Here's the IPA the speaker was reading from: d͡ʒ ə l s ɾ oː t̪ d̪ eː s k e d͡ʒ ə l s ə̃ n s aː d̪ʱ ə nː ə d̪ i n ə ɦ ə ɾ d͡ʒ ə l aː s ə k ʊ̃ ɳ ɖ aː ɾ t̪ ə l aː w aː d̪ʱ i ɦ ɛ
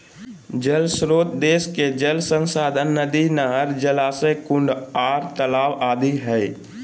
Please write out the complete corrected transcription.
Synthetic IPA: d͡ʒ ə l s ɾ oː t̪ d̪ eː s k e d͡ʒ ə l s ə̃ n s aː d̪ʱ ə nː ə d̪ i n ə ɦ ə ɾ d͡ʒ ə l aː s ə k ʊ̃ ɳ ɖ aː ɾ t̪ ə l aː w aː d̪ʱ i ɦ ɛ